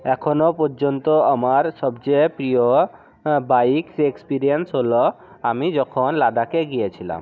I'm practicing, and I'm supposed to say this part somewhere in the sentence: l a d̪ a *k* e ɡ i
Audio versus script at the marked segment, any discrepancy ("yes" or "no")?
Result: no